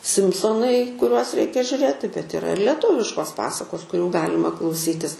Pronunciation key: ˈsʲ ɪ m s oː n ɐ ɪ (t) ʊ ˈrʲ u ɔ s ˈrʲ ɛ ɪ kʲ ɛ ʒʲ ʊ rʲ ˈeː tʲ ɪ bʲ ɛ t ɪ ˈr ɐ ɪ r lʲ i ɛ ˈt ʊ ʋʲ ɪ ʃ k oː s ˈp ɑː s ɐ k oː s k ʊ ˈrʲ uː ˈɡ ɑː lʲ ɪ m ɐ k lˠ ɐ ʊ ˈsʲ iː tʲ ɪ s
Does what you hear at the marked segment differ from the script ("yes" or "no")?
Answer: yes